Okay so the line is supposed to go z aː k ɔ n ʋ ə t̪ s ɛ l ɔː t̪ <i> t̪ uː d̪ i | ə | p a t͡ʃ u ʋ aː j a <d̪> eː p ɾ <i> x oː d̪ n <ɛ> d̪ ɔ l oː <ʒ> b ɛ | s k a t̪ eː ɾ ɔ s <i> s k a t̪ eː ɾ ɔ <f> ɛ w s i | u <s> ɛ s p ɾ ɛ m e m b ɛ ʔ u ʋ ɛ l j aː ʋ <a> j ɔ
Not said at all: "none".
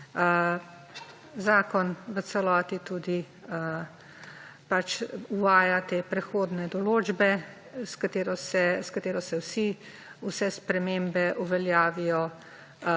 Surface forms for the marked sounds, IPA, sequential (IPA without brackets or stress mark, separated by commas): i, t̪, ɛ, ɛ, d͡ʒ, ɛ, s, s, i